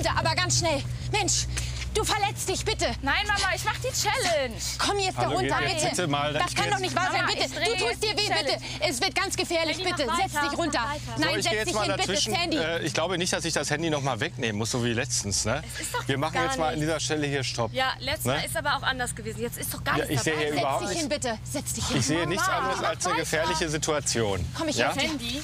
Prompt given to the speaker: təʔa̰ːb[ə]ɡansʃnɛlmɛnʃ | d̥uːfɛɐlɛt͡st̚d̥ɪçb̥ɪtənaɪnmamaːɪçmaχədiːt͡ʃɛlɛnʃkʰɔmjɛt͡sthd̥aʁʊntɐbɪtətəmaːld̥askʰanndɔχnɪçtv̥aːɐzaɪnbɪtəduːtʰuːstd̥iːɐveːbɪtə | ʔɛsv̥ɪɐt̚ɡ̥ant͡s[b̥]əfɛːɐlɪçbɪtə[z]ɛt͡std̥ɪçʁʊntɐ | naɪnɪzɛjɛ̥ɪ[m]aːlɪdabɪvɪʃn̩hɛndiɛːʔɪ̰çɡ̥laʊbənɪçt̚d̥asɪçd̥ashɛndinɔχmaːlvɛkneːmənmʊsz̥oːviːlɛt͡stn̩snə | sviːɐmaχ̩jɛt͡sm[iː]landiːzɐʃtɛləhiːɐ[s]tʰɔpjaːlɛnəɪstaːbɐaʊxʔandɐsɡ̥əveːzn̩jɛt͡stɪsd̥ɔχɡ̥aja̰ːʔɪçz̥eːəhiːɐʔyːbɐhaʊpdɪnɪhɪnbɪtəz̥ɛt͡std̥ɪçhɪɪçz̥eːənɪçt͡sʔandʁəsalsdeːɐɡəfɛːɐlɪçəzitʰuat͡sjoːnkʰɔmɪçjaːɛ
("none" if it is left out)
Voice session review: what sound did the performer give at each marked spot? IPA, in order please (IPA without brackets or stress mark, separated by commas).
ɐ, ɡ̥, z, m, aː, ʃ